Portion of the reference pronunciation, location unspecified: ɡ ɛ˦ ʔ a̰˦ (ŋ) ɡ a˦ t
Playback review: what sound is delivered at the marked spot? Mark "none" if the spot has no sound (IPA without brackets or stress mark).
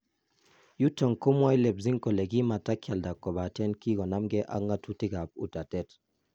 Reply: ŋ